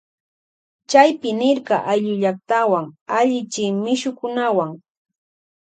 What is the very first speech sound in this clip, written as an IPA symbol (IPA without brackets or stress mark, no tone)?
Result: t͡ʃ